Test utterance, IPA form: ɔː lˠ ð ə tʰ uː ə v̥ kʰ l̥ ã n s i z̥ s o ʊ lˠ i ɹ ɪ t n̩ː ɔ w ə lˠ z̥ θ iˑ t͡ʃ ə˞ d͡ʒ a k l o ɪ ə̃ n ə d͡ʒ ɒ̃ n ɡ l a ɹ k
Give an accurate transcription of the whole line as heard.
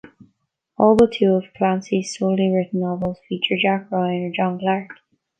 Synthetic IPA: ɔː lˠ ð ə tʰ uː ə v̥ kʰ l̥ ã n s i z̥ s o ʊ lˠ i ɹ ɪ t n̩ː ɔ v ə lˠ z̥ f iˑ t͡ʃ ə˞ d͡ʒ a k ɹ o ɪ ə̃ n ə d͡ʒ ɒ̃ n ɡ l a ɹ k